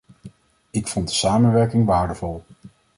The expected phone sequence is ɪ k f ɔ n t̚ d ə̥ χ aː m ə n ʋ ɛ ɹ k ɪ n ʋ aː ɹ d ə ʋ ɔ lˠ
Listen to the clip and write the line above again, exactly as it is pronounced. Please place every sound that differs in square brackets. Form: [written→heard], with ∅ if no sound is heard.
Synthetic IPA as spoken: ɪ k f ɔ n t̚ d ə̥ [χ→s] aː m ə n ʋ ɛ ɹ k ɪ [n→ŋ] ʋ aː ɹ d ə [ʋ→v] ɔ lˠ